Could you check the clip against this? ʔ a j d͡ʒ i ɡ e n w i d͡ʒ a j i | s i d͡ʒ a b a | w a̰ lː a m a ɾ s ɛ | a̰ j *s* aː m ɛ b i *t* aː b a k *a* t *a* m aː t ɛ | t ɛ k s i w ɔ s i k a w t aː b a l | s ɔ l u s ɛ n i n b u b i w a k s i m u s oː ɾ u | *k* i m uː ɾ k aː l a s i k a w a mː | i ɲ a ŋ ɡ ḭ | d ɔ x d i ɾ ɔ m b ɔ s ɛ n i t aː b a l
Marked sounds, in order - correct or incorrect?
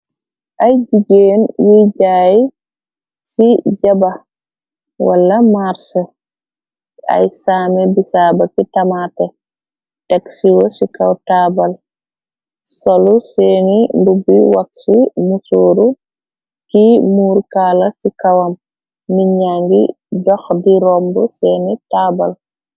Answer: correct, incorrect, incorrect, correct, correct

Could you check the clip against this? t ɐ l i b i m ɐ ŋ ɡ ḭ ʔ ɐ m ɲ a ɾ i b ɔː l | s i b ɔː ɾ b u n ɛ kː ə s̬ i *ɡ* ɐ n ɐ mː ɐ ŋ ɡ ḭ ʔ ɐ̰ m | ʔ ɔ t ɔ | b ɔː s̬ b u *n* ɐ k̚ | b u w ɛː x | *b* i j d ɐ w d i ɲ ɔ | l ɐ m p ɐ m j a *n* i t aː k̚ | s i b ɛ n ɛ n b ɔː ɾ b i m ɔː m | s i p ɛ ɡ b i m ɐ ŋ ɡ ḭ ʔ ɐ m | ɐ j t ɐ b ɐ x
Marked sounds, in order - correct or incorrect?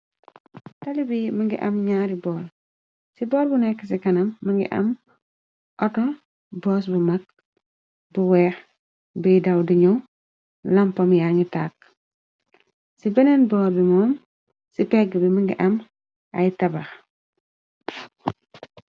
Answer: incorrect, incorrect, correct, incorrect

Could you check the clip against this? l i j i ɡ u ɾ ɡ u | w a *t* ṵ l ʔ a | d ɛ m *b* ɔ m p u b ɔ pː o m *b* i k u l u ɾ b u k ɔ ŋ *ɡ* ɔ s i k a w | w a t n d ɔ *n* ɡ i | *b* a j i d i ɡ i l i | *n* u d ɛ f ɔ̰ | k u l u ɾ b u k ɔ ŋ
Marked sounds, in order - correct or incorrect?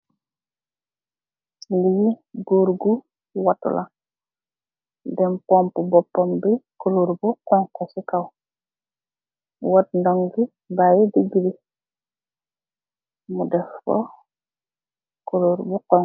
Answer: correct, incorrect, correct, incorrect, incorrect, correct, incorrect

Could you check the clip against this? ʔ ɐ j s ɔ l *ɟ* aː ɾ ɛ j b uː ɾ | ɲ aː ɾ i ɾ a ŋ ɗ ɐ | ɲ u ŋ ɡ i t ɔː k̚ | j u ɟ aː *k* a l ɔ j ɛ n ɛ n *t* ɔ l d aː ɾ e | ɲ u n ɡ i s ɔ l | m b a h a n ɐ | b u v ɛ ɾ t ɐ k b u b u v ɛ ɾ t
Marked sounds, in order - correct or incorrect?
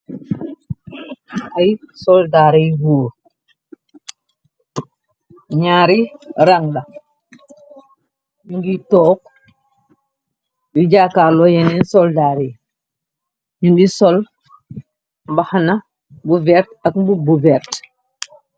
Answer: incorrect, correct, incorrect

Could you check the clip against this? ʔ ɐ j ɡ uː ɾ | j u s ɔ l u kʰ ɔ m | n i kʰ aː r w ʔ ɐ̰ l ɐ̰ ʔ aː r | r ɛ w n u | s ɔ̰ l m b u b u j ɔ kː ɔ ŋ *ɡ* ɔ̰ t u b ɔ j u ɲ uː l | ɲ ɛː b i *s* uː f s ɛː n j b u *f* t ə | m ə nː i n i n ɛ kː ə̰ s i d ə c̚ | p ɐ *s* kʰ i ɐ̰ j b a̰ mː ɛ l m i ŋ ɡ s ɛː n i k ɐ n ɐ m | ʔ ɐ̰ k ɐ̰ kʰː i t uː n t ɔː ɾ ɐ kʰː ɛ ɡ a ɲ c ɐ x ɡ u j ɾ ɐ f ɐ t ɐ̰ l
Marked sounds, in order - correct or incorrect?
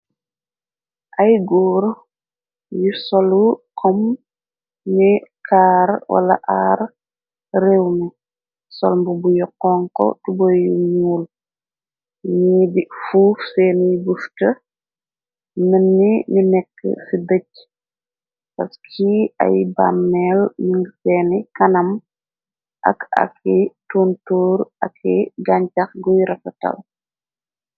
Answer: incorrect, incorrect, correct, correct

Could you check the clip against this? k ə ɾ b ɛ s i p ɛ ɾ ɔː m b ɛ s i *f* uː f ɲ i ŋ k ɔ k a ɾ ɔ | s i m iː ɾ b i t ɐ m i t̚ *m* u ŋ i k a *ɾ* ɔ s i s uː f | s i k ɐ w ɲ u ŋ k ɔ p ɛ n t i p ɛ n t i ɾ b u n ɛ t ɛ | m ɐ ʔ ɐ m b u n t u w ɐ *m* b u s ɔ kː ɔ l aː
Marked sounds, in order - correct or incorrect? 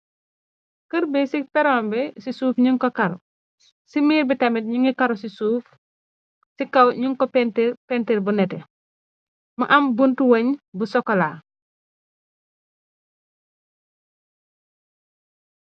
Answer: incorrect, incorrect, correct, incorrect

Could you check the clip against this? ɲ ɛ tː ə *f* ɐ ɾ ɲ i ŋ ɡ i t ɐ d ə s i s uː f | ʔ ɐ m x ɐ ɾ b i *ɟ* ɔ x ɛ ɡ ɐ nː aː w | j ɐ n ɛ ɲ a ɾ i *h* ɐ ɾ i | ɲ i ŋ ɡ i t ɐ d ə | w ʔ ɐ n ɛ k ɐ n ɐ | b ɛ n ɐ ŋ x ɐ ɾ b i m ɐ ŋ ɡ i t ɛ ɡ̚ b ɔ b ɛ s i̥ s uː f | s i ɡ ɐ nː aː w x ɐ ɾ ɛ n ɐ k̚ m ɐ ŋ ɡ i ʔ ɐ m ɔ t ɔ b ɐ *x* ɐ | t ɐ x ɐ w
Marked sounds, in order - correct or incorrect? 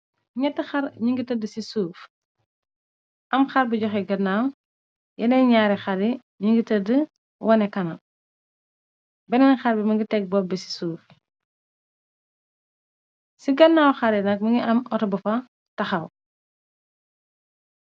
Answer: incorrect, correct, incorrect, incorrect

